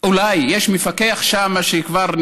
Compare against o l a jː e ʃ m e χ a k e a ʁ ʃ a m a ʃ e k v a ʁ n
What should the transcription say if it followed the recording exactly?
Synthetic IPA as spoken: u l a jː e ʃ m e f a k e a χ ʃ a m a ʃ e k v a ʁ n